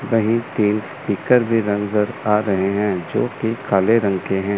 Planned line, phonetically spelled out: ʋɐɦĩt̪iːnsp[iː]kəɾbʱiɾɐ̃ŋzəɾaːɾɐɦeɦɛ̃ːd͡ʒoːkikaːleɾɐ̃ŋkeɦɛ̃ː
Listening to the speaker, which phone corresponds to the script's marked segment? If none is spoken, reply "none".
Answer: iː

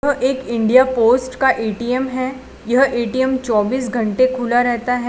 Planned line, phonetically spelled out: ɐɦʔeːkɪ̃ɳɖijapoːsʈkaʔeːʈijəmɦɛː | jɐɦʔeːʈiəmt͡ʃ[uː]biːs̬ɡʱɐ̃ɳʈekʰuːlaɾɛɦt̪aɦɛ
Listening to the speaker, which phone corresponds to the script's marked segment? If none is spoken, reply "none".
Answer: ɔː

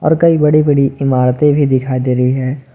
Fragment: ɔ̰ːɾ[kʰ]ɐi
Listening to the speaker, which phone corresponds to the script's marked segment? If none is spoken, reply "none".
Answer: k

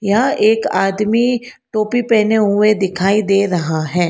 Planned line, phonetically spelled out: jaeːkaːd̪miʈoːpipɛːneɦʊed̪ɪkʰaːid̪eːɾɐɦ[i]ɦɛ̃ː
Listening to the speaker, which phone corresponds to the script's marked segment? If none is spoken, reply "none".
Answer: a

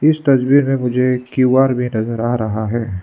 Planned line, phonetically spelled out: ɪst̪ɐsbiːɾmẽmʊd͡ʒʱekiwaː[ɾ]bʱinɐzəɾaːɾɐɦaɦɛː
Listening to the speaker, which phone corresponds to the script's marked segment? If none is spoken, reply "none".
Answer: ɾ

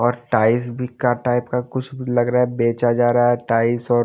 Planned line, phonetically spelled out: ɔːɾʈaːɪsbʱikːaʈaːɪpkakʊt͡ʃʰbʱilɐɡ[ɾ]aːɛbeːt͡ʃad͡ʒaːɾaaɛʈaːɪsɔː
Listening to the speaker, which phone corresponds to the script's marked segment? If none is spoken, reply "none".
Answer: ɾ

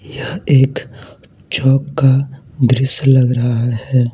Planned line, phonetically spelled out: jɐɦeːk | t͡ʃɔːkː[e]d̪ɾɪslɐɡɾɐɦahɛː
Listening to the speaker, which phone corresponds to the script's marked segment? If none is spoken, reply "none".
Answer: a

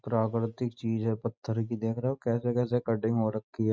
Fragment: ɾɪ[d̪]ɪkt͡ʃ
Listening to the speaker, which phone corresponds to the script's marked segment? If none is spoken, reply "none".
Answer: t̪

